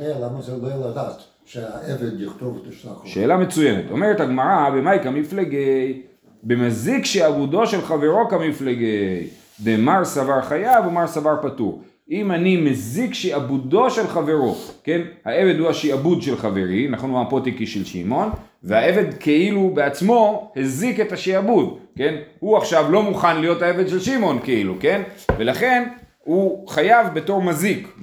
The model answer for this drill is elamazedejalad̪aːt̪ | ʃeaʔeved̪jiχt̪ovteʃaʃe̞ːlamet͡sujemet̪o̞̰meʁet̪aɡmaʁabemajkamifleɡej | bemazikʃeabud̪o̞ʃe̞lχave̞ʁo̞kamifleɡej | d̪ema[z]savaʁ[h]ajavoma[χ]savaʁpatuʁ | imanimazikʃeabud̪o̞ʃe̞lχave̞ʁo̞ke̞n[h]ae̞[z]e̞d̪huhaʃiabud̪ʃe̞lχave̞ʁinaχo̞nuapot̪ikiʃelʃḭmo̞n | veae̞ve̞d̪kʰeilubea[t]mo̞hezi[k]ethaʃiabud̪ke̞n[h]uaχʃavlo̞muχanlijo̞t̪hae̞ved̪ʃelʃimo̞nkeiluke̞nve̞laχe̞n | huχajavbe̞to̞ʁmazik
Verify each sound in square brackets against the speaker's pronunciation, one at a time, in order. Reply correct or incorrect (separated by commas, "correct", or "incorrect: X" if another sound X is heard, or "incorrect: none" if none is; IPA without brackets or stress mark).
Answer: incorrect: ʁ, incorrect: χ, incorrect: ʁ, correct, incorrect: v, incorrect: t͡s, correct, correct